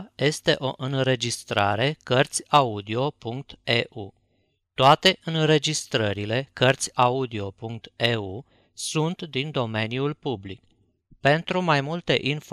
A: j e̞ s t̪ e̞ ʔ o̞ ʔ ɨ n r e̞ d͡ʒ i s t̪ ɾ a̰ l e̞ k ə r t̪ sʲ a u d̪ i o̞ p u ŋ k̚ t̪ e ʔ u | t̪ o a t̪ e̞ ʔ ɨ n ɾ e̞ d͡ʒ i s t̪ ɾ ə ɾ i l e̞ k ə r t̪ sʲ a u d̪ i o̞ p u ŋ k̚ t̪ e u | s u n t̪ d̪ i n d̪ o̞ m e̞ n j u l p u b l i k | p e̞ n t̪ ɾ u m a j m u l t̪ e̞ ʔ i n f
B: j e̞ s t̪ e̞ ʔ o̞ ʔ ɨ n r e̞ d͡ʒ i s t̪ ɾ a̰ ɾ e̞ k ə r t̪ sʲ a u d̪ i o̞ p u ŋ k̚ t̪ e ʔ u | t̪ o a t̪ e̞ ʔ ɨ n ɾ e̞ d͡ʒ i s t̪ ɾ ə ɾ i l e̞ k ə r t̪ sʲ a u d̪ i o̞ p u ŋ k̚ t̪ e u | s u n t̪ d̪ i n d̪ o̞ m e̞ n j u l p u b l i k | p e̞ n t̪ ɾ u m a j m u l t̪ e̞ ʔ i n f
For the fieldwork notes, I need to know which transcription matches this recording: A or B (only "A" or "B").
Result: B